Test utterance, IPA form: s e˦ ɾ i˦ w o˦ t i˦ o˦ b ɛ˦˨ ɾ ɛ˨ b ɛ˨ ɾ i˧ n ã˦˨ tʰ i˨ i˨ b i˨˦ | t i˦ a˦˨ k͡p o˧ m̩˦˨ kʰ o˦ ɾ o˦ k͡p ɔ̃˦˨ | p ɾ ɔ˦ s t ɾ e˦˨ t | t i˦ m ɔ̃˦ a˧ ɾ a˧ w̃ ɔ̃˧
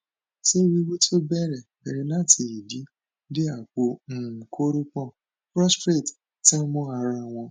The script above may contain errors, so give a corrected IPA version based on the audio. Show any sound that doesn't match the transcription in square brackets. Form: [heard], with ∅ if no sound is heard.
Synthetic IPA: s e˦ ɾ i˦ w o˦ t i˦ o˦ b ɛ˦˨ ɾ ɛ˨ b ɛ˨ ɾ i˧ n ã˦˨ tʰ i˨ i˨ [d] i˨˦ | [d] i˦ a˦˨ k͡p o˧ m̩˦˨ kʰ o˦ ɾ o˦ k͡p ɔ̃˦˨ | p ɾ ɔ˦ s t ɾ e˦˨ t | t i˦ m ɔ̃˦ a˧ ɾ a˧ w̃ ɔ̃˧